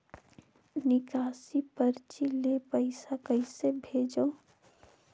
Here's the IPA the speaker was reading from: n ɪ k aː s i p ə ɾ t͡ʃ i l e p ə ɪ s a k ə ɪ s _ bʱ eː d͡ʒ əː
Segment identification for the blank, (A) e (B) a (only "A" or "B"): A